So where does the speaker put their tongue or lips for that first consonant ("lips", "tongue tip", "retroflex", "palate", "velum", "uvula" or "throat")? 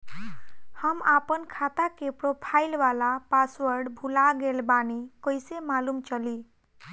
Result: throat